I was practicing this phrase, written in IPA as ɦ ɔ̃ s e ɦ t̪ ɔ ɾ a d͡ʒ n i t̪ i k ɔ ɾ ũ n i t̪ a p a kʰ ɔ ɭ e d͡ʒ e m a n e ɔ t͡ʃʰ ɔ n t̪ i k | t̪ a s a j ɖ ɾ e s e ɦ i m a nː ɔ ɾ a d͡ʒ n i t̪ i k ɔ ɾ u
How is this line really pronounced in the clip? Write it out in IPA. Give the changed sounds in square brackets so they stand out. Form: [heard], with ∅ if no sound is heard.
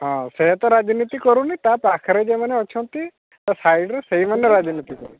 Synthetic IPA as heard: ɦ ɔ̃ s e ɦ t̪ ɔ ɾ a d͡ʒ n i t̪ i k ɔ ɾ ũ n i t̪ a p a kʰ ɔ [ɾ] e d͡ʒ e m a n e ɔ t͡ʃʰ ɔ n t̪ i [∅] | t̪ a s a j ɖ ɾ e s e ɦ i m a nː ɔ ɾ a d͡ʒ n i t̪ i k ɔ ɾ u